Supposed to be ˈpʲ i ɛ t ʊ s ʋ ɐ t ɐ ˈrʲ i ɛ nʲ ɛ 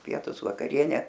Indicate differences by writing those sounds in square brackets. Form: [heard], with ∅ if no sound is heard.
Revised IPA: ˈpʲ i ɛ t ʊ s ʋ ɐ [k] ɐ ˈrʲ i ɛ nʲ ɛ